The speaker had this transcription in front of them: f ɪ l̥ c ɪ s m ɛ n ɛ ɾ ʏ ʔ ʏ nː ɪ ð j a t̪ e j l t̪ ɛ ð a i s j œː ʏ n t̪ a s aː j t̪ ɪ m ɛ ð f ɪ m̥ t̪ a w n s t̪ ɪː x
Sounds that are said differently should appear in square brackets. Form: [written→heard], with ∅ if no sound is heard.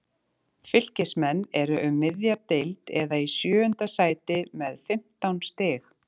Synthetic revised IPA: f ɪ l̥ c ɪ s m ɛ [n→nː] ɛ ɾ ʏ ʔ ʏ [nː→mː] ɪ ð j a t̪ e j l t̪ ɛ ð a i s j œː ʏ n t̪ a s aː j t̪ ɪ m ɛ ð f ɪ m̥ t̪ a w n s t̪ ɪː x